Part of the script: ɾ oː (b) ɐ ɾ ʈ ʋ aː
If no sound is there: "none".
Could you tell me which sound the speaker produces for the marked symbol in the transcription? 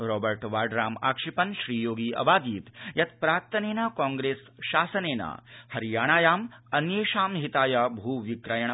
b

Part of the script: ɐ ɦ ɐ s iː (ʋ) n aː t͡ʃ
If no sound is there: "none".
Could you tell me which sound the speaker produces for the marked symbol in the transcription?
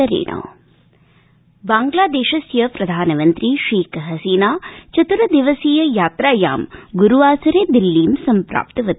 none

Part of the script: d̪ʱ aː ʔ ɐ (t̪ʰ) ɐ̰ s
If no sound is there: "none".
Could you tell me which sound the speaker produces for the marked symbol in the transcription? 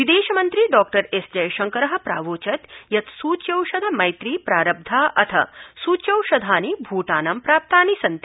t̪ʰ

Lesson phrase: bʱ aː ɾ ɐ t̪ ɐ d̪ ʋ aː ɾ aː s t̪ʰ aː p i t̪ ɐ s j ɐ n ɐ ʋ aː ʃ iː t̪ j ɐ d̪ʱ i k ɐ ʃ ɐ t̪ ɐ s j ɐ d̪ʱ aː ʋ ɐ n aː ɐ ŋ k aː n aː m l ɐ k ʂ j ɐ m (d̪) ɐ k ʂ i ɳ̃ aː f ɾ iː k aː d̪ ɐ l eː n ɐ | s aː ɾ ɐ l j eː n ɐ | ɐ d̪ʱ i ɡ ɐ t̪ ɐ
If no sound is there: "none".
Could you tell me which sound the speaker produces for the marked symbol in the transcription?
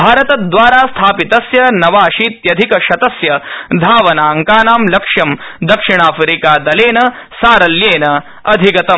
d̪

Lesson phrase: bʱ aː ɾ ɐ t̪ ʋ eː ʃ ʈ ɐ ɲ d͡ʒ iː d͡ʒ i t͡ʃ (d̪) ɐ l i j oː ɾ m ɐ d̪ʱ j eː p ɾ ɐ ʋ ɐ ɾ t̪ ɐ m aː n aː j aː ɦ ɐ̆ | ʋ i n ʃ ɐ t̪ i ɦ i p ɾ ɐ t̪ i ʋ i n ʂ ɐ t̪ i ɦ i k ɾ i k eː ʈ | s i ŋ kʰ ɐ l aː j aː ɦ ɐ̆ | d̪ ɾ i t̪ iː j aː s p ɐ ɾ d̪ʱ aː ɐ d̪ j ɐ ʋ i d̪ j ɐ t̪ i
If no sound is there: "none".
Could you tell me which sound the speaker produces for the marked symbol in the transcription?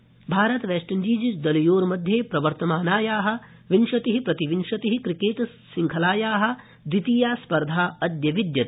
d̪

